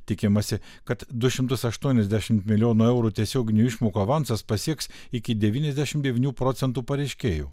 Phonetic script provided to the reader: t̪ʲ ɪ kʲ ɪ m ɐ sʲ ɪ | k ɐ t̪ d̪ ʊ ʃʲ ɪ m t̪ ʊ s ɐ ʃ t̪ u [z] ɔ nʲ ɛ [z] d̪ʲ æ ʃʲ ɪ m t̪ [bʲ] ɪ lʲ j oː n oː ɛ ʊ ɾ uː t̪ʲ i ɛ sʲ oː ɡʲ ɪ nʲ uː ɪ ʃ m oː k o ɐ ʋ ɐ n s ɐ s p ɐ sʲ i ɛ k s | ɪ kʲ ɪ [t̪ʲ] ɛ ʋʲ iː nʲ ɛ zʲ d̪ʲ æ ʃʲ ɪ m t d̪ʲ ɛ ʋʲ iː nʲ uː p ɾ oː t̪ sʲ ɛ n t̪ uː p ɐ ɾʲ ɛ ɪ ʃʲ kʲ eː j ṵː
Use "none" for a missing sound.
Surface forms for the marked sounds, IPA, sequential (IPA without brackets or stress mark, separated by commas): none, z, mʲ, d̪ʲ